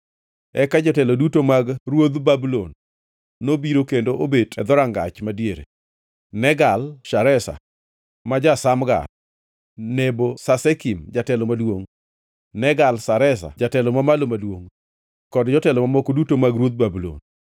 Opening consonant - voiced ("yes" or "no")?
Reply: no